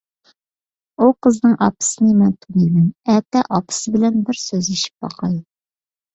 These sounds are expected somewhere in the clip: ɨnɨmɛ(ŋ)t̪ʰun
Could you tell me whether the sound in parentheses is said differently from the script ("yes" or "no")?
yes